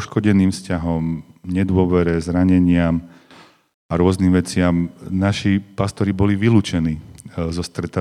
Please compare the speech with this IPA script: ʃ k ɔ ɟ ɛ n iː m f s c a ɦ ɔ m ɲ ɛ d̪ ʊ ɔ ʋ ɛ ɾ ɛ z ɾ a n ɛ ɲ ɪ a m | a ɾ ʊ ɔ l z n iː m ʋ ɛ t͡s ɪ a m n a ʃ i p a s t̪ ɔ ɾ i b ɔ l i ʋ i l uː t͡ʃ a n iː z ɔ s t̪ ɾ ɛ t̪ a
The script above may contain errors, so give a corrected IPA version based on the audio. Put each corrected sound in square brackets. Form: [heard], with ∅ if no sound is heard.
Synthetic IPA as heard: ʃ k ɔ ɟ ɛ n iː m f s c a ɦ ɔ m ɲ ɛ d̪ ʊ ɔ ʋ ɛ ɾ ɛ z ɾ a [ɲ] ɛ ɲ ɪ a m | a ɾ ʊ ɔ [∅] z n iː m ʋ ɛ t͡s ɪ a m n a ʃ i p a s t̪ ɔ ɾ i b ɔ l i ʋ i l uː t͡ʃ [ɛ] n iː z ɔ s t̪ ɾ ɛ t̪ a